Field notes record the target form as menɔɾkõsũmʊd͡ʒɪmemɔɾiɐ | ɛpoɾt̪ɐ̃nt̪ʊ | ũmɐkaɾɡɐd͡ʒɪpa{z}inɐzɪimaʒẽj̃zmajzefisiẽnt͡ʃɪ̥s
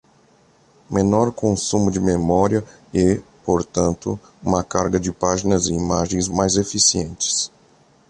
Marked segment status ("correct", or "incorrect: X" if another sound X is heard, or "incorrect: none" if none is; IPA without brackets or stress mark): incorrect: ʒ